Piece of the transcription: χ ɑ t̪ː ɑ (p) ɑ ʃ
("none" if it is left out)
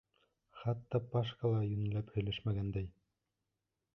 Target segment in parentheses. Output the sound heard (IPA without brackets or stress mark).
p